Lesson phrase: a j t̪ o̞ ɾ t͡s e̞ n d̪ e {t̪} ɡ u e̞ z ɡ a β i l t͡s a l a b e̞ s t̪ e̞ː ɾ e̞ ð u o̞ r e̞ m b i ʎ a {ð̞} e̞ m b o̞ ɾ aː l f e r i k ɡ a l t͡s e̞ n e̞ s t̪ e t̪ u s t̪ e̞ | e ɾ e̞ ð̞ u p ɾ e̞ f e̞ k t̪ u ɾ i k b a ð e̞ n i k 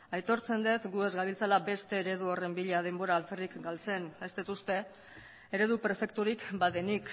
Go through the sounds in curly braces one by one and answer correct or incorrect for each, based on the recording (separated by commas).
correct, correct